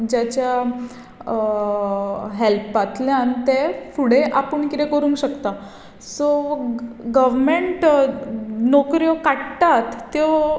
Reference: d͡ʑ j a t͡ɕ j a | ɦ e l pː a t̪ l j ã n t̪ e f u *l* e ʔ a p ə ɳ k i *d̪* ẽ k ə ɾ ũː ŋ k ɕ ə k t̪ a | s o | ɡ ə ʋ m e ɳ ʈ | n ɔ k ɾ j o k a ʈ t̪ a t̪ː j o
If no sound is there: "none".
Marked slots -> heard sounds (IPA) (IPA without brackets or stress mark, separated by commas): ɽ, t̪